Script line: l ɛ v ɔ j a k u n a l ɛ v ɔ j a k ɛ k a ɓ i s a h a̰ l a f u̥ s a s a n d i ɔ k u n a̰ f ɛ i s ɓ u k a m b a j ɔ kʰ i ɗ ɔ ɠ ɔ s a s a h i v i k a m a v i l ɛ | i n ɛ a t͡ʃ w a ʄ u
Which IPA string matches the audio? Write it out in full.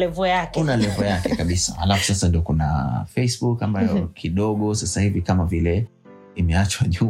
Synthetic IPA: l ɛ v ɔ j a k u n a l ɛ v ɔ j a k ɛ k a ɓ i s a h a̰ l a f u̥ s a s a n d i ɔ k u n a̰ f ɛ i s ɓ u k a m b a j ɔ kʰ i ɗ ɔ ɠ ɔ s a s a h i v i k a m a v i l ɛ | i m ɛ a t͡ʃ w a ʄ u